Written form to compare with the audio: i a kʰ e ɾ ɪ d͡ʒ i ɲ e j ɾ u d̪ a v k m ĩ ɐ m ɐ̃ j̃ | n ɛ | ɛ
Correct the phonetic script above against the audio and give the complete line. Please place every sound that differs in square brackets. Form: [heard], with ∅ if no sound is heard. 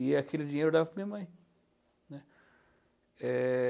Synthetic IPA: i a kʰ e [l] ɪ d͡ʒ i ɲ e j ɾ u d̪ a v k m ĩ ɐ m ɐ̃ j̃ | n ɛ | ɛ